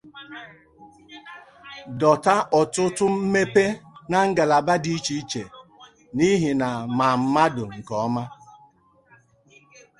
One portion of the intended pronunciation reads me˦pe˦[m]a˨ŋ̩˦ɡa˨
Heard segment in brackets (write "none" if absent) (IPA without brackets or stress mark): n